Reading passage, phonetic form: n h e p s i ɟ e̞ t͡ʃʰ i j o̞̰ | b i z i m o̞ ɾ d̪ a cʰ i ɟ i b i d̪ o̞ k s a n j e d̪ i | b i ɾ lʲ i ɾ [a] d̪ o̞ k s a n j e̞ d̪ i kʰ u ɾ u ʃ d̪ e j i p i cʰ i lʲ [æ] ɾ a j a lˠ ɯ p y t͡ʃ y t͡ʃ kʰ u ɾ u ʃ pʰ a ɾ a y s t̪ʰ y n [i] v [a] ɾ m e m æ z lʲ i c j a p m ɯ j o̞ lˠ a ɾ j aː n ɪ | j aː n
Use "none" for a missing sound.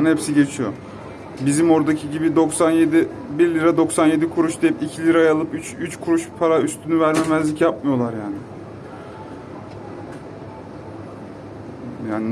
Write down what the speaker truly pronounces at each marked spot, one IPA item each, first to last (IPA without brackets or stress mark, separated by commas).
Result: a, i, y, æ